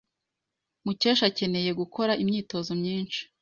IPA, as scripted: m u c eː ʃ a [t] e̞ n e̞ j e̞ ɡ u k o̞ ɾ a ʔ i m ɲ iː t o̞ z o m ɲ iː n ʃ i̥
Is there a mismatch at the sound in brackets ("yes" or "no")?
yes